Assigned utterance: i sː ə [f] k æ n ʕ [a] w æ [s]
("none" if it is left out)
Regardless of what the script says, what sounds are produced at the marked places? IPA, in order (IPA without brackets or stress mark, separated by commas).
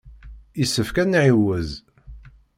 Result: f, i, z